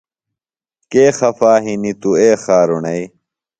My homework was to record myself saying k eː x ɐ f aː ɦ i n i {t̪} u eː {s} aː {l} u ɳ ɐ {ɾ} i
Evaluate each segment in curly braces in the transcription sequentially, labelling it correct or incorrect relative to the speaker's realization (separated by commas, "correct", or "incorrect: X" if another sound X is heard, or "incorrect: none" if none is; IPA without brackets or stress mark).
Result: correct, incorrect: x, incorrect: ɾ, incorrect: none